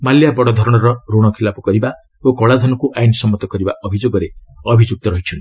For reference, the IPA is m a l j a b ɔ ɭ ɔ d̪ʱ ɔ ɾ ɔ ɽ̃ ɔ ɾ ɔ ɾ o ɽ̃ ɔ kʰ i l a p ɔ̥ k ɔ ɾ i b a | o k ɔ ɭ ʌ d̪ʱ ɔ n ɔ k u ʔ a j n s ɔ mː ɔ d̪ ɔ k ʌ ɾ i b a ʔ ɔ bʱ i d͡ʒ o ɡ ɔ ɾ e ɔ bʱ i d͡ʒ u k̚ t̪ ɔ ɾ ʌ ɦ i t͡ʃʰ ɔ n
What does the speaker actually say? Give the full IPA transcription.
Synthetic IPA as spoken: m a l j a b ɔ ɽ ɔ d̪ʱ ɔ ɾ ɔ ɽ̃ ɔ ɾ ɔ ɾ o ɽ̃ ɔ kʰ i l a p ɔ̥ k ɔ ɾ i b a | o k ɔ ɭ a d̪ʱ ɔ n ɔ k u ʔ a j n s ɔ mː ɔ t̪ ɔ k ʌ ɾ i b a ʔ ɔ bʱ i d͡ʒ o ɡ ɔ ɾ e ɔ bʱ i d͡ʒ u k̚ t̪ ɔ ɾ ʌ ɦ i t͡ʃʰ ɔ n